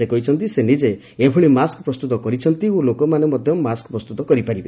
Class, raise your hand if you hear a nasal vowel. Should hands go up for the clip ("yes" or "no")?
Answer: no